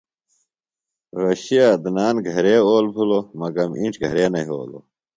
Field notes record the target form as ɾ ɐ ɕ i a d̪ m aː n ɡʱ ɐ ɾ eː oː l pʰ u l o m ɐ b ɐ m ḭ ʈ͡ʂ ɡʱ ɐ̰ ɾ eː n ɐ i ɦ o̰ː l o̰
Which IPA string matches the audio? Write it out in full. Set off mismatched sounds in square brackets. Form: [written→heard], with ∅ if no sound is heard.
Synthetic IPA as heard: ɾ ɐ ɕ i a d̪ [m→n] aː n ɡʱ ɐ ɾ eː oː l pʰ u l o m ɐ [b→ɡ] ɐ m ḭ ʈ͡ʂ ɡʱ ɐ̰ ɾ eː n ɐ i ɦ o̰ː l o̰